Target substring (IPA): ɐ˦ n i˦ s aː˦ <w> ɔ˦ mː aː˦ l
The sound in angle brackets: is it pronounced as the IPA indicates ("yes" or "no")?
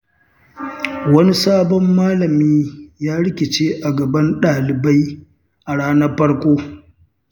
no